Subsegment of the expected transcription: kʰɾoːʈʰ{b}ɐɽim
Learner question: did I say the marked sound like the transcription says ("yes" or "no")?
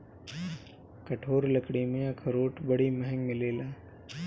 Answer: yes